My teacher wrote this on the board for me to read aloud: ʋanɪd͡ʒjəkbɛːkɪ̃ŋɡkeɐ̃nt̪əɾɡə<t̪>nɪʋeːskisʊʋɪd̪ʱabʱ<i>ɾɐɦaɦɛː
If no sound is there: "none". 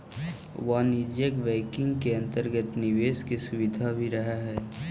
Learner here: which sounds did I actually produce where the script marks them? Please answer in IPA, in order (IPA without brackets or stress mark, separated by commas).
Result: t̪, i